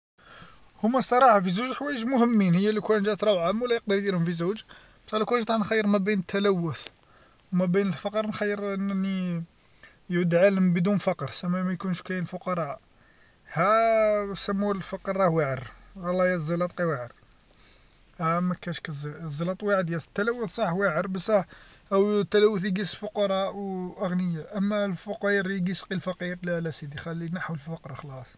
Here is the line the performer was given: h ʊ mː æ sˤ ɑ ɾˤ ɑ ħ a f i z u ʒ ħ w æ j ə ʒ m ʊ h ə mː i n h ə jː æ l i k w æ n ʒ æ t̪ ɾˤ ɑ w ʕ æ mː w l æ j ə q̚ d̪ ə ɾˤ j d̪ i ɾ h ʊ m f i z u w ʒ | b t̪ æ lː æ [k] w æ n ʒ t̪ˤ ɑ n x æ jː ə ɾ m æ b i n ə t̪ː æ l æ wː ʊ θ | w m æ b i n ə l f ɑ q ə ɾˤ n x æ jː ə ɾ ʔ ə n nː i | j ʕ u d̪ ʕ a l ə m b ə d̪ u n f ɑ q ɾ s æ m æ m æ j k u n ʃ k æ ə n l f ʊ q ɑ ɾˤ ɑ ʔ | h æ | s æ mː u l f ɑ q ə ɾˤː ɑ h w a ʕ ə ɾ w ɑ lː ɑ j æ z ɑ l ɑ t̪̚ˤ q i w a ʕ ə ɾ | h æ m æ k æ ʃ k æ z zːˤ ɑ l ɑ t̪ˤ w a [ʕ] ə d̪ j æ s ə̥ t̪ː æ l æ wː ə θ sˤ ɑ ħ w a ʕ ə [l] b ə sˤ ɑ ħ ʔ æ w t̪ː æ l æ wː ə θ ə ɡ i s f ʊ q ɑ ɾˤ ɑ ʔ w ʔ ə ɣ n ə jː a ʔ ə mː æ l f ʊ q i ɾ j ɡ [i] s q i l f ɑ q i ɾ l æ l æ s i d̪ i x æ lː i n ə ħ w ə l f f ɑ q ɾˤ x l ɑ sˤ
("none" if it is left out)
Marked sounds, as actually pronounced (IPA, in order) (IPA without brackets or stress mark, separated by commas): k, ʕ, ɾ, i